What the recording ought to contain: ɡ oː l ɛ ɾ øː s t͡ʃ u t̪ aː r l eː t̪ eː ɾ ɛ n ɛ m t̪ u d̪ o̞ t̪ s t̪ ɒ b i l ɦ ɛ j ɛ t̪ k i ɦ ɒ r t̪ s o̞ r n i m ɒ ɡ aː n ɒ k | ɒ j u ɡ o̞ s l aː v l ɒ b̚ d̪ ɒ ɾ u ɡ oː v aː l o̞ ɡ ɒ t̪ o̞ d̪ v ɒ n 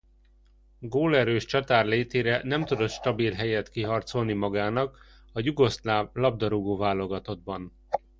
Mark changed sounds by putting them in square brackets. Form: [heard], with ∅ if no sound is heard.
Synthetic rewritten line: ɡ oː l ɛ ɾ øː [ʃ] t͡ʃ [ɒ] t̪ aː r l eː t̪ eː ɾ ɛ n ɛ m t̪ u d̪ o̞ t̪ [ʃ] t̪ ɒ b i l ɦ ɛ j ɛ t̪ k i ɦ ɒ r t̪ s o̞ [l] n i m ɒ ɡ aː n ɒ k | ɒ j u ɡ o̞ s l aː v l ɒ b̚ d̪ ɒ ɾ u ɡ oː v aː l o̞ ɡ ɒ t̪ o̞ d̪ [b] ɒ n